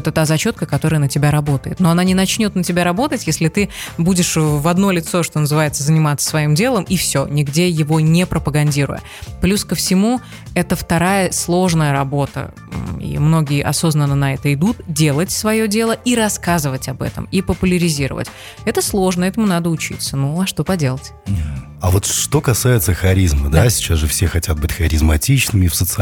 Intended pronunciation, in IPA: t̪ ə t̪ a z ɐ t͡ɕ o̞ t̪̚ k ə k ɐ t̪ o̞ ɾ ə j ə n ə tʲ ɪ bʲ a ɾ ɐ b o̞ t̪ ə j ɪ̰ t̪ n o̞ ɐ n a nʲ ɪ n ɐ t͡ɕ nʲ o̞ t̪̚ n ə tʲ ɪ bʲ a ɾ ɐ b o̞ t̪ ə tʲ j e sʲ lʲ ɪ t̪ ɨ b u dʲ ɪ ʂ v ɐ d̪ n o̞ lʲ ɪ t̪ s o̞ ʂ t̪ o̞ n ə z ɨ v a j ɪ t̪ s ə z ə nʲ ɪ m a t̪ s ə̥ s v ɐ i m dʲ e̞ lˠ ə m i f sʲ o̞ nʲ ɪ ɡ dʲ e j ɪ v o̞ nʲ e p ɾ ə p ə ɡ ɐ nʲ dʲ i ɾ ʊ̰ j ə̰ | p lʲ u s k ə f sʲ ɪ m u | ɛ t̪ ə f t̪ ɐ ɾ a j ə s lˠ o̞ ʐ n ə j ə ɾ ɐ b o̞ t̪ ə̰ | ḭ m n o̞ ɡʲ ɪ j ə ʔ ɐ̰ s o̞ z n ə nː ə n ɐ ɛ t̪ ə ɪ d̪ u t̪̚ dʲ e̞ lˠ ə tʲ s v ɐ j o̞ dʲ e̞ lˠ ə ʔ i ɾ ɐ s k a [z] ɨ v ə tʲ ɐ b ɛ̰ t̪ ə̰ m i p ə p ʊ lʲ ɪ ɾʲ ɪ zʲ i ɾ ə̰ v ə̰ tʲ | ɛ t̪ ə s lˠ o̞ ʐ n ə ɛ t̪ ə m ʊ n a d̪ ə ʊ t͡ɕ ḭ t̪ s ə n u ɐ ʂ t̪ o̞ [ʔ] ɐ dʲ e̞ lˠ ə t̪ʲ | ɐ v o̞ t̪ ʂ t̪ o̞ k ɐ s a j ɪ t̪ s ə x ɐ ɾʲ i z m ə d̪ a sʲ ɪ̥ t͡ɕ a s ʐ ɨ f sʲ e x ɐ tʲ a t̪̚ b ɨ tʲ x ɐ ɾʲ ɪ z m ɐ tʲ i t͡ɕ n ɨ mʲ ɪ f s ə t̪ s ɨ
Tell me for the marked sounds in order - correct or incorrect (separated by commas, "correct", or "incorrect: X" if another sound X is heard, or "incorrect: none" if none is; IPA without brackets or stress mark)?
correct, incorrect: p